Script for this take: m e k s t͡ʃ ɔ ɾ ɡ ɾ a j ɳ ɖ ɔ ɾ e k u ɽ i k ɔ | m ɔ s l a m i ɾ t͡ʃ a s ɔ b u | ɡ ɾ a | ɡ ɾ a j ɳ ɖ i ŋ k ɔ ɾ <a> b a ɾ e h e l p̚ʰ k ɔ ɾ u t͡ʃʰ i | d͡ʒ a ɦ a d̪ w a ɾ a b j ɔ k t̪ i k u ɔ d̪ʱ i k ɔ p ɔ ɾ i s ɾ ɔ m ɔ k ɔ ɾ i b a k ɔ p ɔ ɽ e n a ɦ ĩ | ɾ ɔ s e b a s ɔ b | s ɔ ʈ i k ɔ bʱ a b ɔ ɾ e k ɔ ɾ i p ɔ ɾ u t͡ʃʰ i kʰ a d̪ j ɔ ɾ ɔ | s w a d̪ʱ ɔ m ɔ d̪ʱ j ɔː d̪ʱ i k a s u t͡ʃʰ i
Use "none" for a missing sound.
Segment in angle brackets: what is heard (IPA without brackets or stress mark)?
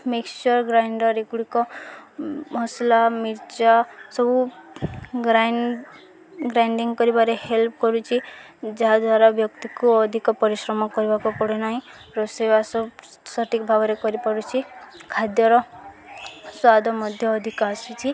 i